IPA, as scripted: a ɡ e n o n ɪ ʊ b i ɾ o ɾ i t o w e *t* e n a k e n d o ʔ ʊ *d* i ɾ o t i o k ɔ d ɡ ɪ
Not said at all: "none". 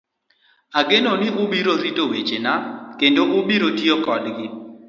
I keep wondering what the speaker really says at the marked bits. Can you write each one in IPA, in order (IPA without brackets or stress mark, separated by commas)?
t͡ʃ, b